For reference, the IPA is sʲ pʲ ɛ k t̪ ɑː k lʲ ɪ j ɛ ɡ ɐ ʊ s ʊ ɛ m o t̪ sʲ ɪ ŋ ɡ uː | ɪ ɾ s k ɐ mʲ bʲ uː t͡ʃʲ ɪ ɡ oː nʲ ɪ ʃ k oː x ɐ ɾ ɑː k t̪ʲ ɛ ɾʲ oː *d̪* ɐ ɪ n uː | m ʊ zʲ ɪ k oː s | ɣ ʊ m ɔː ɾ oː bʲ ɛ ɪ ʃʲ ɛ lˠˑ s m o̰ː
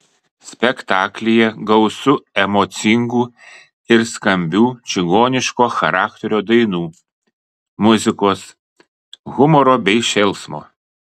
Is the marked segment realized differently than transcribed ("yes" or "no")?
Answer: no